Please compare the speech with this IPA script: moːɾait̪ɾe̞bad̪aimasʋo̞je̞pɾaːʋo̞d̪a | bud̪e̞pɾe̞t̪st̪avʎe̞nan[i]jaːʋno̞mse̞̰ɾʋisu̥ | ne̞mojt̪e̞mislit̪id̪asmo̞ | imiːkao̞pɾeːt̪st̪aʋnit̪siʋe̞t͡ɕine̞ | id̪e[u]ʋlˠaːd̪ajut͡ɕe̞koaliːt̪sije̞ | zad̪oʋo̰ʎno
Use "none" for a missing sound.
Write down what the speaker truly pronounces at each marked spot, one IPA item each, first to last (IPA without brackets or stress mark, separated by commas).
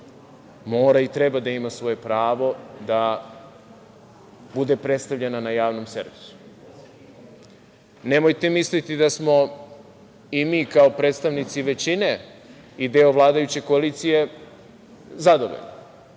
a, o